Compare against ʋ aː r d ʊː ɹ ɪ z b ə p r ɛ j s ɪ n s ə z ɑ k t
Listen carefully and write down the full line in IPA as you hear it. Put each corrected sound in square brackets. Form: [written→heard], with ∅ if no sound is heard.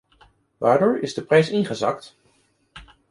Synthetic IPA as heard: ʋ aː [r→ɹ] d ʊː ɹ ɪ z [b→d] ə p r ɛ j s ɪ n [s→χ] ə z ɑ k t